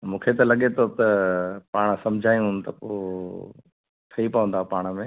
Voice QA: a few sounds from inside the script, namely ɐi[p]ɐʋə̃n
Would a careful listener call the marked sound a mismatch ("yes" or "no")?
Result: no